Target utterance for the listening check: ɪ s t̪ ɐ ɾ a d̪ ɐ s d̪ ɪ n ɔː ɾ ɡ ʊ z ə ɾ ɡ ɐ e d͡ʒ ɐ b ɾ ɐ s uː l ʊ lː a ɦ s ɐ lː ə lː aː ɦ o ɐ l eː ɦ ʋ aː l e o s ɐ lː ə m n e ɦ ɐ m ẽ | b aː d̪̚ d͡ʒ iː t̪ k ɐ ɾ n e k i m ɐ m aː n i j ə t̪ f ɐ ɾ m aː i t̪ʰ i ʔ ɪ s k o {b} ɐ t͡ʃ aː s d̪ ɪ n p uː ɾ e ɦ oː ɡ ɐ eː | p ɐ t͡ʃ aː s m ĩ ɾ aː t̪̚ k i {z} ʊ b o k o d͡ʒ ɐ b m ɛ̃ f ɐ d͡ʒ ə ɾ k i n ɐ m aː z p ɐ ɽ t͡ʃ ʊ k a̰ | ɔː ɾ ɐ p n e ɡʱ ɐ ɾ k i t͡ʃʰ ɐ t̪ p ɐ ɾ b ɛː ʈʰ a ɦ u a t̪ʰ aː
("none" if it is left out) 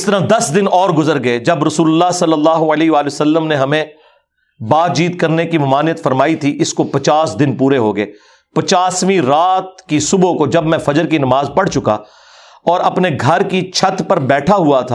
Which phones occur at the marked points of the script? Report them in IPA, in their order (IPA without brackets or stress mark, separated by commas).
p, s